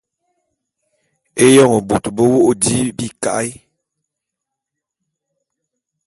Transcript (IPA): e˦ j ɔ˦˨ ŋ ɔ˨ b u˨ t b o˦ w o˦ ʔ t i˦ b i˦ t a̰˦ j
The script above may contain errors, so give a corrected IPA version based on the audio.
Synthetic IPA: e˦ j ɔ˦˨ ŋ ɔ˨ b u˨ t b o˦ w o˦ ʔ d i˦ b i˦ k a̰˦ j